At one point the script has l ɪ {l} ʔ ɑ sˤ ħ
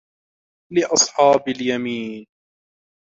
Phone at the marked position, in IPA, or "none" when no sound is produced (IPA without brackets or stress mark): none